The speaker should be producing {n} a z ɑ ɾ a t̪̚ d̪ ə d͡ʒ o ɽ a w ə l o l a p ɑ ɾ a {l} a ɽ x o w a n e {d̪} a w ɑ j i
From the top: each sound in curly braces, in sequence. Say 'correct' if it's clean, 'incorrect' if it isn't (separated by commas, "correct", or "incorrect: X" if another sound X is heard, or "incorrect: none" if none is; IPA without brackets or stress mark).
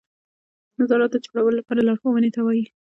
correct, correct, incorrect: t̪